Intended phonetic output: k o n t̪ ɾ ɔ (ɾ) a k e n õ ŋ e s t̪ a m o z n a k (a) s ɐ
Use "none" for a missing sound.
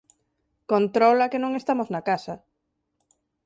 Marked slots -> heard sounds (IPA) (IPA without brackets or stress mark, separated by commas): l, a